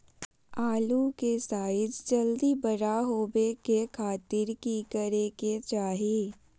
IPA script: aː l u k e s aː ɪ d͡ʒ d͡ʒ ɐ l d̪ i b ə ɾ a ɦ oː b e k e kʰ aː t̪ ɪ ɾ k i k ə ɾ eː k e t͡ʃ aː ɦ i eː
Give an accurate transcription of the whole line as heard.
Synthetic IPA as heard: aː l u k e s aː ɪ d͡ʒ d͡ʒ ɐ l d̪ i b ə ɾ a ɦ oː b e k e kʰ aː t̪ ɪ ɾ k i k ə ɾ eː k e t͡ʃ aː ɦ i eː